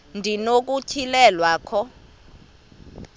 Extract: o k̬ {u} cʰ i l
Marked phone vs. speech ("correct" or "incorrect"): correct